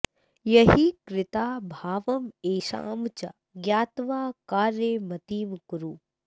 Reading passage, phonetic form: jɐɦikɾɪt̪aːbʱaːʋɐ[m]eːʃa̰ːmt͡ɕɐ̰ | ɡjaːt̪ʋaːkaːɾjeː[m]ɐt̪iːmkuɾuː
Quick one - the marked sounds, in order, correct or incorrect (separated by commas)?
correct, correct